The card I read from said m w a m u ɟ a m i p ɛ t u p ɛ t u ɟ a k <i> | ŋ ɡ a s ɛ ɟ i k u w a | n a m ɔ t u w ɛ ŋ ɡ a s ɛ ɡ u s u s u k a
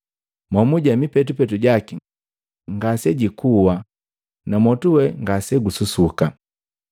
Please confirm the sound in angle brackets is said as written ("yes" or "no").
yes